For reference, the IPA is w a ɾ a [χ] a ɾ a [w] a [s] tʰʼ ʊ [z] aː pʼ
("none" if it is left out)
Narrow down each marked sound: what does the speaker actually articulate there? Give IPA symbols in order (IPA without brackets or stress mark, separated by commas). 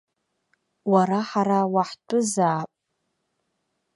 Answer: ħ, w, ħ, z